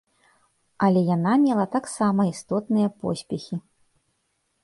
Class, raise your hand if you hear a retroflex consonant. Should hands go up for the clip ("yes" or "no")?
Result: no